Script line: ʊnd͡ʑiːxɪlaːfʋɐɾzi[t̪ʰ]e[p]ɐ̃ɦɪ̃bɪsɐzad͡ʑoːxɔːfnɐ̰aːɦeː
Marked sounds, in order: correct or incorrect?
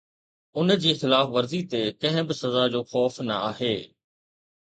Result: incorrect, incorrect

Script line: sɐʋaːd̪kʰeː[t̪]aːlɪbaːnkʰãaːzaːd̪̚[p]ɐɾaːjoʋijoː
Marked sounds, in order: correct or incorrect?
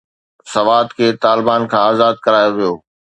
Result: correct, incorrect

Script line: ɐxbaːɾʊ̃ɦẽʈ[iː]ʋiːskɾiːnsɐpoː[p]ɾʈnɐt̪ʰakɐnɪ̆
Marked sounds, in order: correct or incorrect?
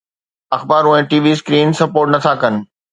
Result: correct, incorrect

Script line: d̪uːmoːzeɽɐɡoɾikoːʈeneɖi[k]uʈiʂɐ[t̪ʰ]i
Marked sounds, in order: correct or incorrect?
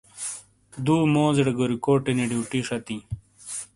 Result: incorrect, incorrect

